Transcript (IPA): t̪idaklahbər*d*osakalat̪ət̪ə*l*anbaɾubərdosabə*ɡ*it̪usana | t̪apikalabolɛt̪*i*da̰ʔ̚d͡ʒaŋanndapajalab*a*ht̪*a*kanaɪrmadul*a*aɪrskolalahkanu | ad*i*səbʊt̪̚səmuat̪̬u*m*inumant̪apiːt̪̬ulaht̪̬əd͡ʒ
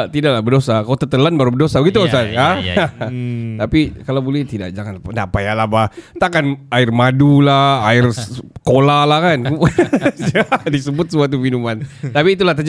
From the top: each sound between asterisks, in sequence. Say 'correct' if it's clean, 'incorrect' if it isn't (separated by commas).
correct, correct, correct, correct, correct, correct, correct, correct, correct